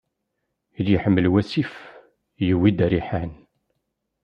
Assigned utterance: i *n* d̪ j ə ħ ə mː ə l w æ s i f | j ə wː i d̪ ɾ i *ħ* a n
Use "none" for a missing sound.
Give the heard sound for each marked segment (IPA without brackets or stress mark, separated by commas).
none, ħ